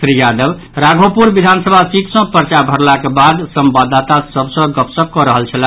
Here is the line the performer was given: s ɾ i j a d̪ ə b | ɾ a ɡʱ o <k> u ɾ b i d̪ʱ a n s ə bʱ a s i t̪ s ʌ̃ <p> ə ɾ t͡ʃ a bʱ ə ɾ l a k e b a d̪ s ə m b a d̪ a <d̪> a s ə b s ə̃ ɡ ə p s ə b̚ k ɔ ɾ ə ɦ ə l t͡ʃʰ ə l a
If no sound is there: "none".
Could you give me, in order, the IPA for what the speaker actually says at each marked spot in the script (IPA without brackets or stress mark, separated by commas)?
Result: p, p, t̪